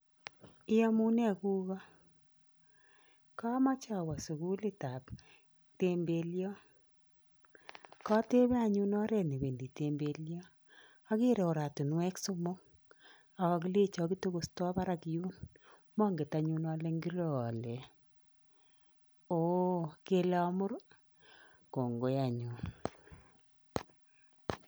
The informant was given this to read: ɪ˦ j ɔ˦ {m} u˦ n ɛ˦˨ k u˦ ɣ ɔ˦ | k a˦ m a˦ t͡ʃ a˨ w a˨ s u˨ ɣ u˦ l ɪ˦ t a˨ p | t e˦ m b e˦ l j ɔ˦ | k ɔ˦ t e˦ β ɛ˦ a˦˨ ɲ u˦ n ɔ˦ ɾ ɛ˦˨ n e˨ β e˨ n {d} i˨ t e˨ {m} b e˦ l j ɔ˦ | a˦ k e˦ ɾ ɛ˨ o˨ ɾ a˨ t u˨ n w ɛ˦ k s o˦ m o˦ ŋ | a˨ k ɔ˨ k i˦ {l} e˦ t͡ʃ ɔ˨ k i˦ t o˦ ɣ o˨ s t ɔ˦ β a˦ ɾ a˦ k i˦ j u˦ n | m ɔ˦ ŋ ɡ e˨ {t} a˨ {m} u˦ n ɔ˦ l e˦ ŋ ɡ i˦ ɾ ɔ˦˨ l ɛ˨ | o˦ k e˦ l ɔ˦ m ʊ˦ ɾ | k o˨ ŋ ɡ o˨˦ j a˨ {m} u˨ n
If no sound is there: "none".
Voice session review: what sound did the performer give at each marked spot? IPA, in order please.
m, d, m, l, t, ɲ, ɲ

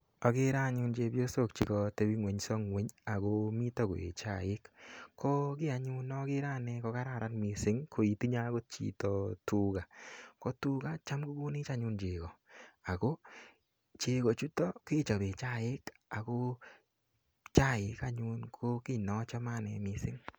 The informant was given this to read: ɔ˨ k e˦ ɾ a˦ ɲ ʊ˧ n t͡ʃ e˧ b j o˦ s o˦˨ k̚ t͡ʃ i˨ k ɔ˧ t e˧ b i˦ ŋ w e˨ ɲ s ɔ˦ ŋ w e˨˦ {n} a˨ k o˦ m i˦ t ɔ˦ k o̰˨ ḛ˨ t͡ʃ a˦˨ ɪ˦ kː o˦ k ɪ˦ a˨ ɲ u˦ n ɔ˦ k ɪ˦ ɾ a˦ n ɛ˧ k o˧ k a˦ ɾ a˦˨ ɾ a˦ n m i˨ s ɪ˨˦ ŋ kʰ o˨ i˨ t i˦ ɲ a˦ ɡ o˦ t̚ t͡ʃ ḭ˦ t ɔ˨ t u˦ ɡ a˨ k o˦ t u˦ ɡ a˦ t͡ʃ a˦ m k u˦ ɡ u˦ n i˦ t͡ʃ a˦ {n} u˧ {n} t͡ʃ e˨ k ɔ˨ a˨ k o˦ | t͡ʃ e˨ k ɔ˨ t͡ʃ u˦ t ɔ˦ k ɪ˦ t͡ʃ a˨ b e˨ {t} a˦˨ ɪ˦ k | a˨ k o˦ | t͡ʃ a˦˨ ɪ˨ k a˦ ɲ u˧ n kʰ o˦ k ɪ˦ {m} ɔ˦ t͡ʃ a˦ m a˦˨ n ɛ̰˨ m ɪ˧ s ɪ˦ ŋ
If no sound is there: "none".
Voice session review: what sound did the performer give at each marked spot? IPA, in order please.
ɲ, ɲ, n, t͡ʃ, n

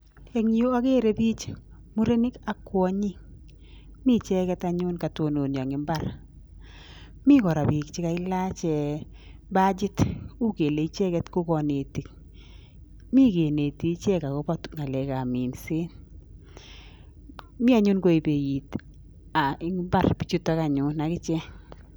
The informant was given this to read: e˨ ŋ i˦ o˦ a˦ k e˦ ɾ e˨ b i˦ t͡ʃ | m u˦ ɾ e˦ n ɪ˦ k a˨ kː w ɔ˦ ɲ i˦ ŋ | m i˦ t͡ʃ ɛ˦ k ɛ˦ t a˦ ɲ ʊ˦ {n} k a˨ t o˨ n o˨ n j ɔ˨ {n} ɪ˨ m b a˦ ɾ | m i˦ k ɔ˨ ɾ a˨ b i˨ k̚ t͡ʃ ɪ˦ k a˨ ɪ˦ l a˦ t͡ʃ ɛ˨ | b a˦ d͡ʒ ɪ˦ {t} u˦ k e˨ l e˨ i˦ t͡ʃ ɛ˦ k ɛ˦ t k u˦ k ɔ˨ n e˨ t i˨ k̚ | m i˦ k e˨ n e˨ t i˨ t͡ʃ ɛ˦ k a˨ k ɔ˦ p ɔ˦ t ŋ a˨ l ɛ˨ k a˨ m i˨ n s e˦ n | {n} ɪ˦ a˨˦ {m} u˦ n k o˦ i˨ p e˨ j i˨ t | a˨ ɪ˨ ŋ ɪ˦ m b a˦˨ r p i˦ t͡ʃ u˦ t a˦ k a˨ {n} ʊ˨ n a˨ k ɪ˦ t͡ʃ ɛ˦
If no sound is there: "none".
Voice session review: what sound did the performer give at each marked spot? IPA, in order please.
n, ŋ, t, m, ɲ, ɲ

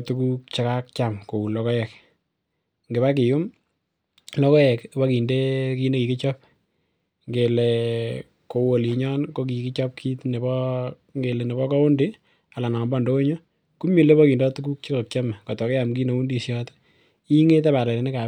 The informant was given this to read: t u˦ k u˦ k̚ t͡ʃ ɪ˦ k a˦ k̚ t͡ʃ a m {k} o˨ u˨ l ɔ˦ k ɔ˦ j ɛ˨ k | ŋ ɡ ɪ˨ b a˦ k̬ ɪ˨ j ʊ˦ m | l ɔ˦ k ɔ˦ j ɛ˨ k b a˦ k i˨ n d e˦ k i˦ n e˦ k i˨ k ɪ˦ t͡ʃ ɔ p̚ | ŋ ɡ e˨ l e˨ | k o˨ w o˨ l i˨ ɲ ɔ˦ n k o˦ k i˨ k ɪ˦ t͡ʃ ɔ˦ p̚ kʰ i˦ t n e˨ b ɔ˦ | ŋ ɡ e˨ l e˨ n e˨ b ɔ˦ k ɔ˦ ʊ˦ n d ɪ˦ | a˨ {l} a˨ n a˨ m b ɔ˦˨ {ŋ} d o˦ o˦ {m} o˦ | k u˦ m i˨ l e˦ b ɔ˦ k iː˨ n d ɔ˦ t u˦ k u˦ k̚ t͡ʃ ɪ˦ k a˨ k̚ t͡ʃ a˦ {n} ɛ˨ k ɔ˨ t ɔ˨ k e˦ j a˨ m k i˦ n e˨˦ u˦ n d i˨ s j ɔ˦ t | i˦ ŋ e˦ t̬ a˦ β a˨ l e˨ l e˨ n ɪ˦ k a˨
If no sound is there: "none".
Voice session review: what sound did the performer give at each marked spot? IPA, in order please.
k, l, n, ɲ, m

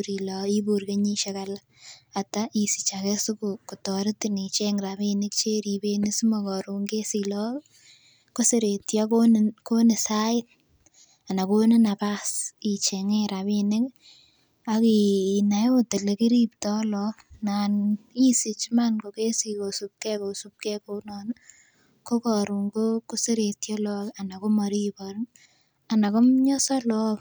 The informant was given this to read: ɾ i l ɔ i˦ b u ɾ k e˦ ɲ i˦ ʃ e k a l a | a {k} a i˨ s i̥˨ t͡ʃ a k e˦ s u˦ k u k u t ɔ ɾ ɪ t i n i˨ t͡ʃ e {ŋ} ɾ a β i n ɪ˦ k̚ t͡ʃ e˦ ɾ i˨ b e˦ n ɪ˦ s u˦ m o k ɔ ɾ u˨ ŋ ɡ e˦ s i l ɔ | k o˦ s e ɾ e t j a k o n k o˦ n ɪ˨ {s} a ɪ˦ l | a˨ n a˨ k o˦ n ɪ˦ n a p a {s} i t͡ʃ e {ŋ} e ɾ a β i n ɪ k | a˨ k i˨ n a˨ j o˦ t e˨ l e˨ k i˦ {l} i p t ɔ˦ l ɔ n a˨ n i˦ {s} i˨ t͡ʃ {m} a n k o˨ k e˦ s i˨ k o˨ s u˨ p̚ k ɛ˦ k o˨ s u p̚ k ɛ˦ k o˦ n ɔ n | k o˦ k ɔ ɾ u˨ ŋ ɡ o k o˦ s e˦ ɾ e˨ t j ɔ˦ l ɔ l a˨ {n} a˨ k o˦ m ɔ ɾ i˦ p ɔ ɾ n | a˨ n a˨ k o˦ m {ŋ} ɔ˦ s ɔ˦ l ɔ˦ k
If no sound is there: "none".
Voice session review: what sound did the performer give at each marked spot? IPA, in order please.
t, ŋ, s, s, ŋ, ɾ, s, m, n, ɲ

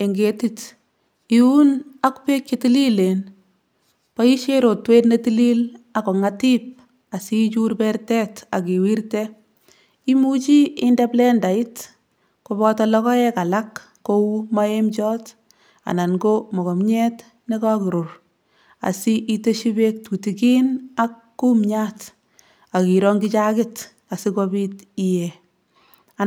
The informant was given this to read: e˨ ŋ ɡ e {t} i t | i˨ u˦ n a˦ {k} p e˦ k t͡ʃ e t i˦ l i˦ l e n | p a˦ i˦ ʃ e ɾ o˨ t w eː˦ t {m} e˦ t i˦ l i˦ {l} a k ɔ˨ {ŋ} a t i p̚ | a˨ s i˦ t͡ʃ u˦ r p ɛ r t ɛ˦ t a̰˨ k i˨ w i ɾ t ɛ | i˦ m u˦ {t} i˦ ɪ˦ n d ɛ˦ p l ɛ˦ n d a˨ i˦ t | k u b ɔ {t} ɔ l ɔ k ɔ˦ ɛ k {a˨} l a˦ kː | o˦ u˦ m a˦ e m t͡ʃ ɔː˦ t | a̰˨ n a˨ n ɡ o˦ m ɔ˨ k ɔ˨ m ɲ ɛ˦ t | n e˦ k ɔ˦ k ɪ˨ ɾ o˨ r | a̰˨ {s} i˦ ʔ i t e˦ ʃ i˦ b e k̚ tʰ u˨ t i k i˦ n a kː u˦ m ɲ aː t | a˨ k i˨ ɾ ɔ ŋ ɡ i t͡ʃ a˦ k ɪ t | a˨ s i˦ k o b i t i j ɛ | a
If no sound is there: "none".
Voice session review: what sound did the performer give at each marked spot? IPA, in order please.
t, k, n, l, ŋ, t͡ʃ, t, a˨, s

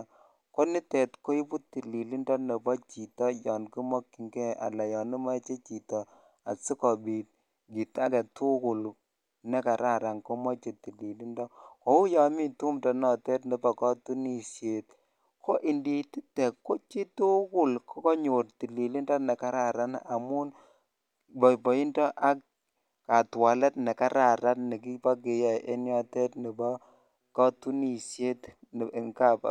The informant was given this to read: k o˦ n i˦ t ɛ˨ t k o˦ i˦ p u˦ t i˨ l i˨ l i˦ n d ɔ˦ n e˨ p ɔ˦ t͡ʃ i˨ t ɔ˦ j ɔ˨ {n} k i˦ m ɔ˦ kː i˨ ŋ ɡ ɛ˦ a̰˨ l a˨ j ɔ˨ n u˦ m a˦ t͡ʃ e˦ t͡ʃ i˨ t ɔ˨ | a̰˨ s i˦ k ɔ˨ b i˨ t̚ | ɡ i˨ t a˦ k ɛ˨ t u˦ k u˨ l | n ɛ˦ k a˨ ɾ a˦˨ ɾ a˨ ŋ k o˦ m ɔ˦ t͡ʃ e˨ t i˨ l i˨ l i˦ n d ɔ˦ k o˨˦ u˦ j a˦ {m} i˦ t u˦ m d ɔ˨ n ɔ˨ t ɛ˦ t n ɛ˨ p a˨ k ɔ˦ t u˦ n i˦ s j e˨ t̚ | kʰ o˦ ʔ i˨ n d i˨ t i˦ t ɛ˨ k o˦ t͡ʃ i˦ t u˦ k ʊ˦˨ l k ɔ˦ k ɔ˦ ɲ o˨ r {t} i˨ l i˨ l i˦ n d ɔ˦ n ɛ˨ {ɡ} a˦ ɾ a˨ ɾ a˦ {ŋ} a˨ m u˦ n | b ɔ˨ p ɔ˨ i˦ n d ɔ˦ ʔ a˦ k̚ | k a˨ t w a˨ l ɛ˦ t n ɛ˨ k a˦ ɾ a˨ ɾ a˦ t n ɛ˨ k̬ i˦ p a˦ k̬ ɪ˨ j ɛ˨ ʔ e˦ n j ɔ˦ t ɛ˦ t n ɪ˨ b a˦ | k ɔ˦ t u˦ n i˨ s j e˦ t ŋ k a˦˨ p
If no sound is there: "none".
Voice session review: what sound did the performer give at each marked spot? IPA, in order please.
n, m, t, k, n

